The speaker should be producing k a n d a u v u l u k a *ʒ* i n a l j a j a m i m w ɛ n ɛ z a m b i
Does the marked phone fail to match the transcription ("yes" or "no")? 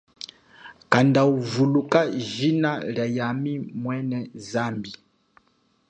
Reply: no